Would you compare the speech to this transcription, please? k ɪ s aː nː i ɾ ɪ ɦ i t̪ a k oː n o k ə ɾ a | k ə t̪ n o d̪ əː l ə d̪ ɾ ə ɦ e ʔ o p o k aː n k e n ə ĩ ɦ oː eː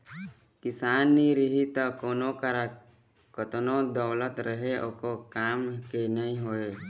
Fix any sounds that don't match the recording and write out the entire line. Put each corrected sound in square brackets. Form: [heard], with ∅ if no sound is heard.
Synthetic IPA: k ɪ s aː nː i ɾ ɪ ɦ i t̪ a k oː n o k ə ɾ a | k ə t̪ n o d̪ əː l ə [t̪] ɾ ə ɦ e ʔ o [k] o k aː [m] k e n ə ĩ ɦ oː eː